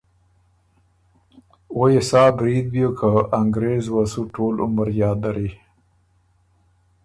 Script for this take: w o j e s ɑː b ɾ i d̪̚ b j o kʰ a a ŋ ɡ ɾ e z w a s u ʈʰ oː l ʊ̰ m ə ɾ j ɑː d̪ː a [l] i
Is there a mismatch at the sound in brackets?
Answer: yes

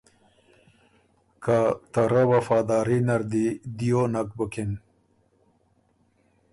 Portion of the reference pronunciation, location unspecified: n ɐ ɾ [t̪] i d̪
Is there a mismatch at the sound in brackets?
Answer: yes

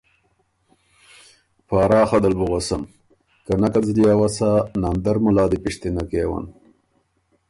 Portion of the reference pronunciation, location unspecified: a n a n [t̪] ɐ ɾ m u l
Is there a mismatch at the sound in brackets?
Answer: yes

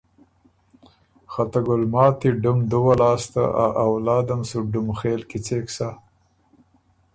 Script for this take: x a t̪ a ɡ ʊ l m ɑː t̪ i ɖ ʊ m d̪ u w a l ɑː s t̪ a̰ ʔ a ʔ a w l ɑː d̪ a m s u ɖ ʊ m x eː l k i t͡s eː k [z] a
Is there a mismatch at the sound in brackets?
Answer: yes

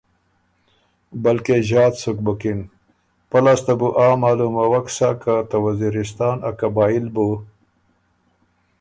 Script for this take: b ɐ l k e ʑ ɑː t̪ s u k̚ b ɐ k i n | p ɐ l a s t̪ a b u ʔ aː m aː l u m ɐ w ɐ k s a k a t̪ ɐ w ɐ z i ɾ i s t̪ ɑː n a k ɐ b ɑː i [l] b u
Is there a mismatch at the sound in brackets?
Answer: no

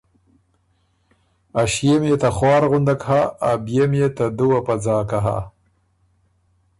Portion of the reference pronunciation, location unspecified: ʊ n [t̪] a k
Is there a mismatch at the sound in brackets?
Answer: yes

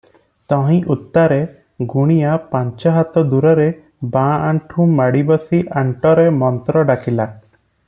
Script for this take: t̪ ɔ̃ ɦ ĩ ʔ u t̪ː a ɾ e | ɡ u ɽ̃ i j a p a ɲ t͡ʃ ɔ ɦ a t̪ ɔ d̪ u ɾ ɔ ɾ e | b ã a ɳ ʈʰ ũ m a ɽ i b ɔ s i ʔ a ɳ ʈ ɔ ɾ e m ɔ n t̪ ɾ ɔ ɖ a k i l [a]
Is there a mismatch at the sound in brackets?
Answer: no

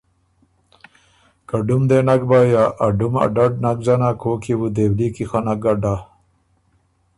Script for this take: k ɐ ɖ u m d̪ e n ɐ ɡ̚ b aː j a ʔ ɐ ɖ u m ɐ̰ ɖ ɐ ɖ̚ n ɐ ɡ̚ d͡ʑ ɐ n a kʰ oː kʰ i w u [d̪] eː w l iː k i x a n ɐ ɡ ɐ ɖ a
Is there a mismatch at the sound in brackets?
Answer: no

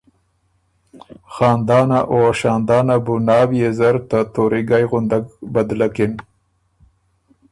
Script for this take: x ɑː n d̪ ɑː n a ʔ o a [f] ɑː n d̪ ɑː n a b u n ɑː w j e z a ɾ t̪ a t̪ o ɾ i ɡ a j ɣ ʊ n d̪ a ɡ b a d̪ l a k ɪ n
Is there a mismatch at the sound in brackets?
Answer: yes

